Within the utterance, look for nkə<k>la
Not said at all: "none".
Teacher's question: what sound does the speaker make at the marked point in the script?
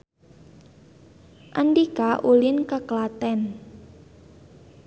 k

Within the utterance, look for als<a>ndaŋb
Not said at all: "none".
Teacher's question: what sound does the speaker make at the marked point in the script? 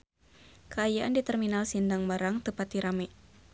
i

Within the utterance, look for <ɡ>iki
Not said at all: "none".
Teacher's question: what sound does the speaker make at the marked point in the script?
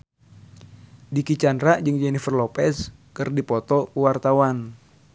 d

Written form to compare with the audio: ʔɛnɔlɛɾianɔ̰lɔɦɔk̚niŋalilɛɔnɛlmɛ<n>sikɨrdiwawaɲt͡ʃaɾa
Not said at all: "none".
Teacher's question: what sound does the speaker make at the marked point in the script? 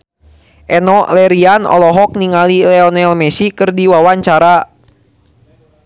none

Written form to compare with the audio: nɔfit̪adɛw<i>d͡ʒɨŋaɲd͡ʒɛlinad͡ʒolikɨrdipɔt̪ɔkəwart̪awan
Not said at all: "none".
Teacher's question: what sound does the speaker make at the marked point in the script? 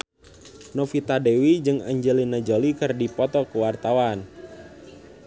i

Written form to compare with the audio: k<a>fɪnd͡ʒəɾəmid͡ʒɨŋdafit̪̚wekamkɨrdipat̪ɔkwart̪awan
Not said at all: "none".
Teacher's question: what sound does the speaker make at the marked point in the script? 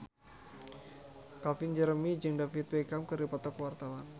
a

